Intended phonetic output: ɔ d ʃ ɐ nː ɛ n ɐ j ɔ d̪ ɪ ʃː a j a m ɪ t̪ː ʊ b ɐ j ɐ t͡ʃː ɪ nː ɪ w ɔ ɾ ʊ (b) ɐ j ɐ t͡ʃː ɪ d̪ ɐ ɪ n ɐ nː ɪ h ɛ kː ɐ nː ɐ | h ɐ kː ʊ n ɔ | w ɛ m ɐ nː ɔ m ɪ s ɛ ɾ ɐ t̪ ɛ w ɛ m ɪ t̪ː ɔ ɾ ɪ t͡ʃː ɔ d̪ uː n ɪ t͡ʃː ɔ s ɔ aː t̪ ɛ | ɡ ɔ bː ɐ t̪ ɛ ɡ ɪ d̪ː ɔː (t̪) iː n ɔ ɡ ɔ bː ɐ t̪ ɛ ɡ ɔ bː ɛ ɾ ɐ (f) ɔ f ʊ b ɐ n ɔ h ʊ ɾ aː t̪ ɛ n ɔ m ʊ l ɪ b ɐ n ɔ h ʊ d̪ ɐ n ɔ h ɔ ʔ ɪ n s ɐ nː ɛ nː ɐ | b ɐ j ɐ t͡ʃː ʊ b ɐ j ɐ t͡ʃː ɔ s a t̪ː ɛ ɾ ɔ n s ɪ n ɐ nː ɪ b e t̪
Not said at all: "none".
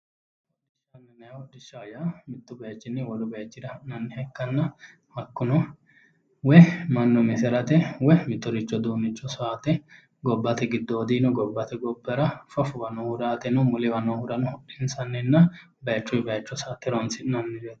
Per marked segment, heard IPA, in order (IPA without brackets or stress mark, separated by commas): b, d̪, f